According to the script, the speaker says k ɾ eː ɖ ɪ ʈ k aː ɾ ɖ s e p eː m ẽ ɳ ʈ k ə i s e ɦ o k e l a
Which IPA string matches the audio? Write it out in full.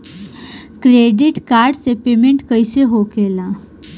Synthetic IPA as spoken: k ɾ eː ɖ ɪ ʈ k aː ɾ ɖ s e p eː m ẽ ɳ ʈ k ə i s e ɦ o k e l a